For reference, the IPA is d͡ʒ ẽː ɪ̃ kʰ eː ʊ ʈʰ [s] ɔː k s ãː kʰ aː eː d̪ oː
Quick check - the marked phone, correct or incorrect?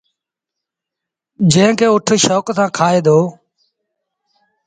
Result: incorrect